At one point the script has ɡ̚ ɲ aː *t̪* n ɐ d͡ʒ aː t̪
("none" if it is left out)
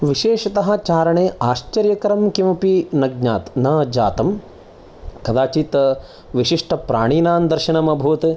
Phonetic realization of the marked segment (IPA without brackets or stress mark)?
t̪